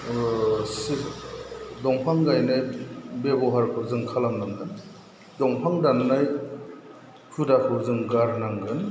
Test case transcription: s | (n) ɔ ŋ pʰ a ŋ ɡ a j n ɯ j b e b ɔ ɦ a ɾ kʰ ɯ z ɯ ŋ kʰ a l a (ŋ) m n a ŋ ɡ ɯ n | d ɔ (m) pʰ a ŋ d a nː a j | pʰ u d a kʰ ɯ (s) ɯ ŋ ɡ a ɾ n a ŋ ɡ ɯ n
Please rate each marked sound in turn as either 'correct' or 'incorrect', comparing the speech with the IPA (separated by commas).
incorrect, incorrect, incorrect, incorrect